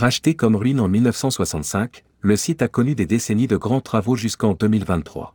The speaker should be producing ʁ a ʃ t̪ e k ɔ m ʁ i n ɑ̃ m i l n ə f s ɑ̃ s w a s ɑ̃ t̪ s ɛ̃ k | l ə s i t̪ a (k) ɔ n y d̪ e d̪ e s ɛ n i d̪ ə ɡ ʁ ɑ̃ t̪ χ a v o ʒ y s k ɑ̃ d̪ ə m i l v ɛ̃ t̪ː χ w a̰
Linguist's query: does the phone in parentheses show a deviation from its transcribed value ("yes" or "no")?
no